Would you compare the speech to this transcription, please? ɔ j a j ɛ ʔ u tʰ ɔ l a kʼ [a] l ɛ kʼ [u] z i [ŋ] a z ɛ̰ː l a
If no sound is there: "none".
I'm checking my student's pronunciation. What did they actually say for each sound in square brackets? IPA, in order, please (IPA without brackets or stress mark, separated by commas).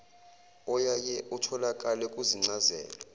a, u, ŋ͡ǀ